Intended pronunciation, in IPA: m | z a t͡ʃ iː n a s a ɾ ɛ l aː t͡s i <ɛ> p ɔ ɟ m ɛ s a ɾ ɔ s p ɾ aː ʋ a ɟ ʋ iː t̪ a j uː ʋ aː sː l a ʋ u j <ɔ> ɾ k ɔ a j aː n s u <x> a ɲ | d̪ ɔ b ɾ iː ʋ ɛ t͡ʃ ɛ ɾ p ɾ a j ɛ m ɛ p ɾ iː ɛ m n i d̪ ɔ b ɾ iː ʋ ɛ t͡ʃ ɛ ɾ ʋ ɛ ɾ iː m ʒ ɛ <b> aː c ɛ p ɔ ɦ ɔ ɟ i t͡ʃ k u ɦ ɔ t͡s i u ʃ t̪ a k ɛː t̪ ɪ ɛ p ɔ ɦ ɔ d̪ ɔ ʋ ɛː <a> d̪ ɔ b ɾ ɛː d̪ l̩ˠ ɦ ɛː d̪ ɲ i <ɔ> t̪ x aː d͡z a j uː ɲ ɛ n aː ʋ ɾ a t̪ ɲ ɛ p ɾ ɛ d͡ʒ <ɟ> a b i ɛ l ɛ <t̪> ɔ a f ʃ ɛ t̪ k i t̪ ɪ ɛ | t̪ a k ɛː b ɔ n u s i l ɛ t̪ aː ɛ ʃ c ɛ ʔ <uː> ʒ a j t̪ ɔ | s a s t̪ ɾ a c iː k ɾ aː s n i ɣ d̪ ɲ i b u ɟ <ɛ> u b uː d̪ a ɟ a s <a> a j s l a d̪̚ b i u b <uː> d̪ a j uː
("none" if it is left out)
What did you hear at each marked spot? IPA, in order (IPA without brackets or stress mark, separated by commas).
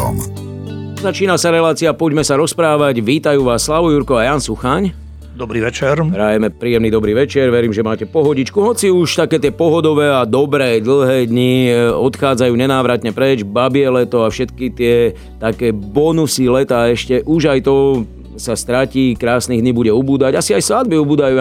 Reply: a, u, x, m, a, ɔ, b, t̪, u, ɛ, i, uː